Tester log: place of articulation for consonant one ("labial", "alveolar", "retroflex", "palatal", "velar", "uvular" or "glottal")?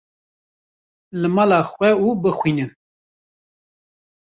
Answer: alveolar